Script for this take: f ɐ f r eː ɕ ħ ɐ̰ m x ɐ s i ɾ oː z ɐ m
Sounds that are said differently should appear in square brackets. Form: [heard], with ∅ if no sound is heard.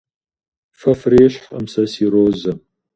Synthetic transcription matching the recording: f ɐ f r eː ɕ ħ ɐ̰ m [s] ɐ s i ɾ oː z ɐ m